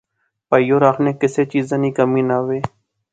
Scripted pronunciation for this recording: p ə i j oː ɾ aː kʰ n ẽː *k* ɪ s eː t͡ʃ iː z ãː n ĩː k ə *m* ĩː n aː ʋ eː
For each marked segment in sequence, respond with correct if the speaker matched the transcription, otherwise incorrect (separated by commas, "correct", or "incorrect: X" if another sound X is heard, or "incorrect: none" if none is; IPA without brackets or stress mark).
correct, correct